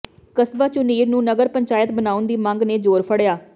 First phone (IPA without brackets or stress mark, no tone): k